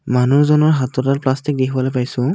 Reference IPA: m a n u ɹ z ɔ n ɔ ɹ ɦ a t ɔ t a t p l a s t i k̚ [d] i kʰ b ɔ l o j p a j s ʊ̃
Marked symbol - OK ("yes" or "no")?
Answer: yes